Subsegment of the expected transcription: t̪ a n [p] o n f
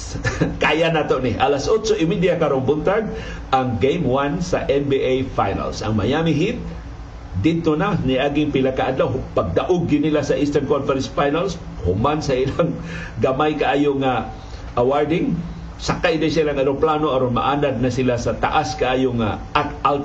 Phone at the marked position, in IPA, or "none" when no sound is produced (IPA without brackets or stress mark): k